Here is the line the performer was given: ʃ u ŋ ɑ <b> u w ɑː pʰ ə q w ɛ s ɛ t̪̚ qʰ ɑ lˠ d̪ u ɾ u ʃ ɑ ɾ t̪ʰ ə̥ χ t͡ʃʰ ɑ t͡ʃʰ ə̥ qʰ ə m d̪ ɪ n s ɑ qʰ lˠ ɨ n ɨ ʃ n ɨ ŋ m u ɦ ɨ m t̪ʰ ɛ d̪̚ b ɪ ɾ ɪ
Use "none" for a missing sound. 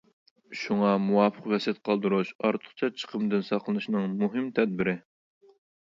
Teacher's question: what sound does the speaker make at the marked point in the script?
m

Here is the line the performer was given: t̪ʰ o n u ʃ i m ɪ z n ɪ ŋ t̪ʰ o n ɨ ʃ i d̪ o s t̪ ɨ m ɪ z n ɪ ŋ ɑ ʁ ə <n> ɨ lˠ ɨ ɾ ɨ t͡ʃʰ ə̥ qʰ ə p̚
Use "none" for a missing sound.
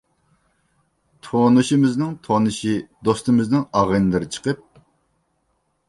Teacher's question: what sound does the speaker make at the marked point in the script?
n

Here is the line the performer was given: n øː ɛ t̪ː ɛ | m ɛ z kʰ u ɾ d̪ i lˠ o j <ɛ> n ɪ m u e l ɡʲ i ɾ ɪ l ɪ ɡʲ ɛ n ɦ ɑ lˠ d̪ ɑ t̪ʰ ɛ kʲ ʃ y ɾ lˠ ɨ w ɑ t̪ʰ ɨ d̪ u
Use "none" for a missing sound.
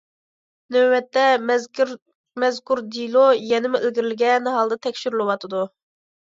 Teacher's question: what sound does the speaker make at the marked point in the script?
ɛ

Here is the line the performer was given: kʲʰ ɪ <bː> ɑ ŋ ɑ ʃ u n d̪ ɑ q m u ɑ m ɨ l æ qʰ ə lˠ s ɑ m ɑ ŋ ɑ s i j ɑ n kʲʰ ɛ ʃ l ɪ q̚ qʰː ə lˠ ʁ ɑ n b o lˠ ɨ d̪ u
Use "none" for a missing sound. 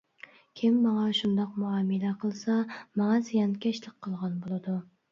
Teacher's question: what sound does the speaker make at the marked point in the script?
mː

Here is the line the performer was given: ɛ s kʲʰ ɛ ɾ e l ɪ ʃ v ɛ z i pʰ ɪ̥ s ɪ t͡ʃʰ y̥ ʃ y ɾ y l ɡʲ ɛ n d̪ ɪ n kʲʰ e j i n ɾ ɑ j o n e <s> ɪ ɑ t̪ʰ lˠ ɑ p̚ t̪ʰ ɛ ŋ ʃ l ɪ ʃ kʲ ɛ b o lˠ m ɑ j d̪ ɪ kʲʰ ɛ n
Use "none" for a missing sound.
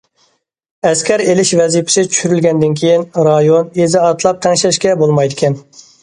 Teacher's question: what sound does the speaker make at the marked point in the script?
z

